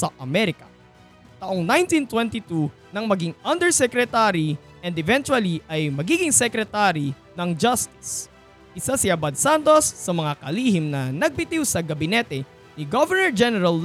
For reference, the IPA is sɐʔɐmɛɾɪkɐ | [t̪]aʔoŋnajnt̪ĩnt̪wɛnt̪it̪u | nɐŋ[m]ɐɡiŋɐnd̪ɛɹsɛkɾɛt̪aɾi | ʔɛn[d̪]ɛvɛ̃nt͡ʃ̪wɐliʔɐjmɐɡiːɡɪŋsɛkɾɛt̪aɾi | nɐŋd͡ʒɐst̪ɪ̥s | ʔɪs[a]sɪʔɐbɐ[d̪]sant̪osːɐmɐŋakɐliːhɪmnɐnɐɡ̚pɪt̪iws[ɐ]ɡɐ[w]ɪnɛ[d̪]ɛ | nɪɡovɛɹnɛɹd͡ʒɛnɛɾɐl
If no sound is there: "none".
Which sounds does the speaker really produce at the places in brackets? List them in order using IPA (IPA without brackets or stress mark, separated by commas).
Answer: t̪, m, d̪, a, d̪, ɐ, b, t̪